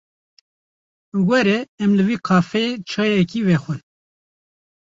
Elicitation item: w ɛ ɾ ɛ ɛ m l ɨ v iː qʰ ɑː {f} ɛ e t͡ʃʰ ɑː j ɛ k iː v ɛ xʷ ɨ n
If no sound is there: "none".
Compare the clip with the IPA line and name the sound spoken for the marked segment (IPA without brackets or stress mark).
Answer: f